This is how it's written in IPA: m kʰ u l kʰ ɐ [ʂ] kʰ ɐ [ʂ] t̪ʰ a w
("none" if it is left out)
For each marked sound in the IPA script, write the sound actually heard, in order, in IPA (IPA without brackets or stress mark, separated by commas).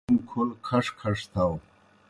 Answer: ʂ, ʂ